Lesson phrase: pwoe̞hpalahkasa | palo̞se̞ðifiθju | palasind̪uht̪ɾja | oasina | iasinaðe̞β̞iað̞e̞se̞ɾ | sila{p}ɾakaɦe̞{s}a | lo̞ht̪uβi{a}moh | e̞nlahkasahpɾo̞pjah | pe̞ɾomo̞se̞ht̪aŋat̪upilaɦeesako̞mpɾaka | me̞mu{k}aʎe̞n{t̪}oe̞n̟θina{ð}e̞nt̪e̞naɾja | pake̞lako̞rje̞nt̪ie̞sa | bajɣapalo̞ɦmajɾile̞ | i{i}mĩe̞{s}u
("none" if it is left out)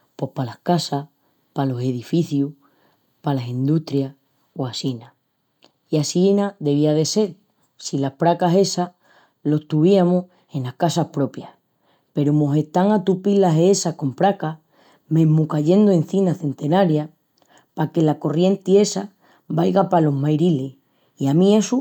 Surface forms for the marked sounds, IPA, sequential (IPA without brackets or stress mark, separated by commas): p, s, a, k, d̪, θ, a, s